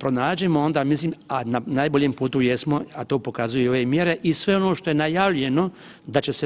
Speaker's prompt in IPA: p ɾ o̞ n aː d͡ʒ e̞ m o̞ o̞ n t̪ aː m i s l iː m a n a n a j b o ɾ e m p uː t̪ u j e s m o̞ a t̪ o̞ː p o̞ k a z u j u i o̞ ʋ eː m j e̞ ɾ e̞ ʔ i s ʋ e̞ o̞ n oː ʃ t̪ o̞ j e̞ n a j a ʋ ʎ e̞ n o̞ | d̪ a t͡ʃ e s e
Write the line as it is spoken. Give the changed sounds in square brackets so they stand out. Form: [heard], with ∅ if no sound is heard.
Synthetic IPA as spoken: p ɾ o̞ n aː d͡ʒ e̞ m o̞ o̞ n [d̪] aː m i s l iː m a n a n a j b o [ʎ] e m p uː t̪ u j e s m o̞ a t̪ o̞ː p o̞ k a z u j u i o̞ ʋ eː m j e̞ ɾ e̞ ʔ i s ʋ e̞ o̞ n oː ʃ t̪ o̞ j e̞ n a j a ʋ ʎ e̞ n o̞ | d̪ a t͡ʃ e s e